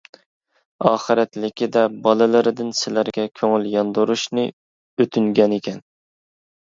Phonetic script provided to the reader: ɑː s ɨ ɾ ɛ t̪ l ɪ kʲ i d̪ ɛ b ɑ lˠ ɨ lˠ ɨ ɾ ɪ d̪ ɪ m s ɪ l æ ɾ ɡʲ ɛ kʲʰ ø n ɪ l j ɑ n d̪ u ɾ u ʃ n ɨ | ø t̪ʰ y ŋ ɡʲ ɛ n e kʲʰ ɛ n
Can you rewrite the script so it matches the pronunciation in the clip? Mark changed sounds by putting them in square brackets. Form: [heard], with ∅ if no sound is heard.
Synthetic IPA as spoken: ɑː [χ] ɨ ɾ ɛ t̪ l ɪ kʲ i d̪ ɛ b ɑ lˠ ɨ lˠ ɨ ɾ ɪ d̪ ɪ [n] s ɪ l æ ɾ ɡʲ ɛ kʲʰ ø [ŋ] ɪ l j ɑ n d̪ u ɾ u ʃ n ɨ | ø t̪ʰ y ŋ ɡʲ ɛ n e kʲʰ ɛ n

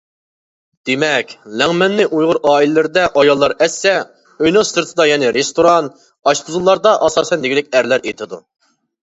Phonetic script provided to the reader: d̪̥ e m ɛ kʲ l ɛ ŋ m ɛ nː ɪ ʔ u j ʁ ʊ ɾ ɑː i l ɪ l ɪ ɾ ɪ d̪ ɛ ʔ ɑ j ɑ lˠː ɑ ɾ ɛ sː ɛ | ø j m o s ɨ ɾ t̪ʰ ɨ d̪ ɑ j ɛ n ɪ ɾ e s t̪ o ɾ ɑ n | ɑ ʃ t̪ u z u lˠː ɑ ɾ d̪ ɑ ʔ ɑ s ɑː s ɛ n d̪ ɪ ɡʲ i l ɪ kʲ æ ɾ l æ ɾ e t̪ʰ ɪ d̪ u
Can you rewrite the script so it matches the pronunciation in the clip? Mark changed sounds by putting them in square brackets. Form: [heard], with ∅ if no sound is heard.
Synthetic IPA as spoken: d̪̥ e m ɛ kʲ l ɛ ŋ m ɛ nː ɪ ʔ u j ʁ ʊ ɾ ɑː i l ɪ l ɪ ɾ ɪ d̪ ɛ ʔ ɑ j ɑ lˠː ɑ ɾ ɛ sː ɛ | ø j [n] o s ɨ ɾ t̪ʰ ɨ d̪ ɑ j ɛ n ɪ ɾ e s t̪ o ɾ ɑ n | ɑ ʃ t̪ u z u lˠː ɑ ɾ d̪ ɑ ʔ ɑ s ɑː s ɛ n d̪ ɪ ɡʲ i l ɪ kʲ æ ɾ l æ ɾ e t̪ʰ ɪ d̪ u

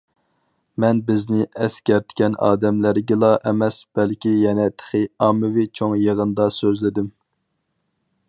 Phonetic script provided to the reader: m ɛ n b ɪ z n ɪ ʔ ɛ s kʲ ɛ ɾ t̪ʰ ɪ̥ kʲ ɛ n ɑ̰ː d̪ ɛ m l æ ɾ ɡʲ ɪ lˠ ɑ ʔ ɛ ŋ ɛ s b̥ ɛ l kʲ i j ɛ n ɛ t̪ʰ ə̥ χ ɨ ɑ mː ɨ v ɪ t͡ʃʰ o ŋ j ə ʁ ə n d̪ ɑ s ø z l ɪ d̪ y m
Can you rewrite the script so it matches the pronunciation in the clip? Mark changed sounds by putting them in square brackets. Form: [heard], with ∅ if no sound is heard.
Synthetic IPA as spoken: m ɛ n b ɪ z n ɪ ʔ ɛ s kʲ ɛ ɾ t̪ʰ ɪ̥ kʲ ɛ n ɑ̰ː d̪ ɛ m l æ ɾ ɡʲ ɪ lˠ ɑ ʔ ɛ [m] ɛ s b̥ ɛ l kʲ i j ɛ n ɛ t̪ʰ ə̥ χ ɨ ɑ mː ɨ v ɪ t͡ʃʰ o ŋ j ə ʁ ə n d̪ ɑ s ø z l ɪ d̪ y m

